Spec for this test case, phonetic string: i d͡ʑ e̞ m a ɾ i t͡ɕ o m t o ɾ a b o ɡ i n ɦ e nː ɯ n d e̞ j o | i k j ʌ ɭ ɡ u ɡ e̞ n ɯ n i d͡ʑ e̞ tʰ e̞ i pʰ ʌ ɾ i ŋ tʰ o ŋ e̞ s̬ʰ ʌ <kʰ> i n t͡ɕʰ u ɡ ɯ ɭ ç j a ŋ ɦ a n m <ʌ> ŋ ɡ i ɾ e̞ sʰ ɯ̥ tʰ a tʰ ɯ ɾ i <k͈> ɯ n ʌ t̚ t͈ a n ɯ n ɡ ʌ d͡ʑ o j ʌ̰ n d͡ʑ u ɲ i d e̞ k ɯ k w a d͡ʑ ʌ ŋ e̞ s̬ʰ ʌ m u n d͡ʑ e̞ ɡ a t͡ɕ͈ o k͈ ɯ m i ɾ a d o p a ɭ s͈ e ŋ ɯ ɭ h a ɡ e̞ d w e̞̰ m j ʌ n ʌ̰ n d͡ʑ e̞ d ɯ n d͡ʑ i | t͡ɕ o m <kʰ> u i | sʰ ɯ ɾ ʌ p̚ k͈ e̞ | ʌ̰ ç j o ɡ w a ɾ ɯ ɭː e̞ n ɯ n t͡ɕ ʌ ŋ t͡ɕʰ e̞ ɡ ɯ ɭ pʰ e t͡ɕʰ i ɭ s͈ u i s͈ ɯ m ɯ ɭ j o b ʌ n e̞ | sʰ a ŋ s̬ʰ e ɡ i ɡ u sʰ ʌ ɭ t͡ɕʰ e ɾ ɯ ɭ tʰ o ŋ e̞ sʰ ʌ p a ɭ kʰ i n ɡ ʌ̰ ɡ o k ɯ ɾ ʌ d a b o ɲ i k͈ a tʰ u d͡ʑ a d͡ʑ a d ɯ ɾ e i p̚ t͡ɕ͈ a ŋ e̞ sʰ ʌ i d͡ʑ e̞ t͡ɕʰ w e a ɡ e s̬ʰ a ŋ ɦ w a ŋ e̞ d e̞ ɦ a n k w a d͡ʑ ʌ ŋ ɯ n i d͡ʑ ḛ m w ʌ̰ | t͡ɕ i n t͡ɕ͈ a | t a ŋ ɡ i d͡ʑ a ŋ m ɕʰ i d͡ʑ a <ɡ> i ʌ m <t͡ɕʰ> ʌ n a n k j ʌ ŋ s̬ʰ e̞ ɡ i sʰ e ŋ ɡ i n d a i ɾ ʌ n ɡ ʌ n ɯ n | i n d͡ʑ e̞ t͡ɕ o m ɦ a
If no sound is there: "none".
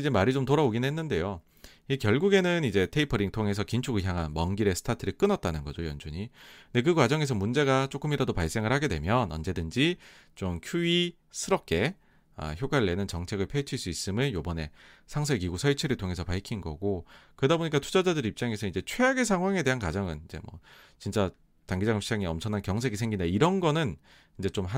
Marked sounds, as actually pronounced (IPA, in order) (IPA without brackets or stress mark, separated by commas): k, ʌ, k͈, kʰ, ŋ, t͡ɕʰ